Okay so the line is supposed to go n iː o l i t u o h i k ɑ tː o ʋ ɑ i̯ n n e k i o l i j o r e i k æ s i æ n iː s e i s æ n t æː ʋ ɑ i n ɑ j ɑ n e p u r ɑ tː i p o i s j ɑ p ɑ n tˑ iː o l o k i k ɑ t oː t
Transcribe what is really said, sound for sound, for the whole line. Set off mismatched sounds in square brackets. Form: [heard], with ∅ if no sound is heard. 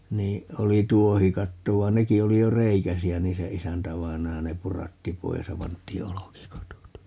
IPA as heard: n iː o l i t u o h i k ɑ tː o ʋ ɑ i̯ n n e k i o l i j o r e i k æ s i æ n iː s e i s æ n t [æ] ʋ ɑ i n ɑ j ɑ n e p u r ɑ tː i p o i s j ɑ p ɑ n tˑ iː o l o k i k ɑ t [o] t